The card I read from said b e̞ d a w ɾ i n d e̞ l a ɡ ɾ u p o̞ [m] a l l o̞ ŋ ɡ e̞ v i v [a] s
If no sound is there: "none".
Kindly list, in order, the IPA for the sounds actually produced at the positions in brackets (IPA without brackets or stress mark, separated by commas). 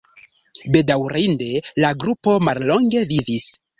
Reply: m, i